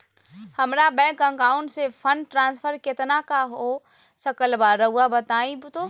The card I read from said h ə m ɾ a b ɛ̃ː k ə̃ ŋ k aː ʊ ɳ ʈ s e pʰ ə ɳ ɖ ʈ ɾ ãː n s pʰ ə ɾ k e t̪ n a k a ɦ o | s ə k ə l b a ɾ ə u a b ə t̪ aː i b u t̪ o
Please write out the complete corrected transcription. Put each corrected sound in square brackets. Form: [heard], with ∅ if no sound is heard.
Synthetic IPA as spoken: h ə m ɾ a b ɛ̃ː k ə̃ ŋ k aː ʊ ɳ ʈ s e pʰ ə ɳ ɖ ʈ ɾ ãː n s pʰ ə ɾ k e t̪ n a k a ɦ o | s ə k ə l b a ɾ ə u a b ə t̪ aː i b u t̪ o